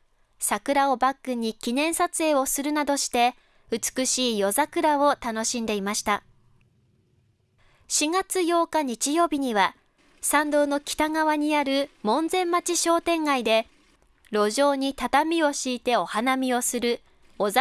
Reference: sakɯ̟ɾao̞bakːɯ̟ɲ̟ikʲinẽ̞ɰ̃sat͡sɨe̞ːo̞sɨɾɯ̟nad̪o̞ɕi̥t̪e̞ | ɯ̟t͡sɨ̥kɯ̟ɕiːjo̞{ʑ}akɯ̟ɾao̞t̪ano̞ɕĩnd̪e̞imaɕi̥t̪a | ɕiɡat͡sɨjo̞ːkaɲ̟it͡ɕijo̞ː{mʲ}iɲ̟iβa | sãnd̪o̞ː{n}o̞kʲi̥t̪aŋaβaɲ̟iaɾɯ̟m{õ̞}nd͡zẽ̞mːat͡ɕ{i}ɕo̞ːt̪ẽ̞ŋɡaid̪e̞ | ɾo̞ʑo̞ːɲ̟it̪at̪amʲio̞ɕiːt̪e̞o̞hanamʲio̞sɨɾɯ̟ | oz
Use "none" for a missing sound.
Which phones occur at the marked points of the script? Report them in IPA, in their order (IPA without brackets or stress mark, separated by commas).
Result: z, bʲ, n, õ̞, i